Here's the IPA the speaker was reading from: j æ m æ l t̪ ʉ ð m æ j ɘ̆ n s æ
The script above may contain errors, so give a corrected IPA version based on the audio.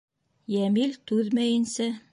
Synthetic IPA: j æ m i l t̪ ʉ ð m æ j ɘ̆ n s æ